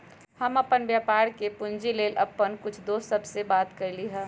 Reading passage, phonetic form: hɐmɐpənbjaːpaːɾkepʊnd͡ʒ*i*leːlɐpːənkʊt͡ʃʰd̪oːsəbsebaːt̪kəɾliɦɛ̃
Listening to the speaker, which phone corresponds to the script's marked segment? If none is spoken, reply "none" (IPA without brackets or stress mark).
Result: i